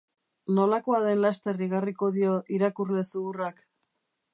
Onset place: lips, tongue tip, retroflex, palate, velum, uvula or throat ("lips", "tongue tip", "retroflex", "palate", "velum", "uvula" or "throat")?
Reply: tongue tip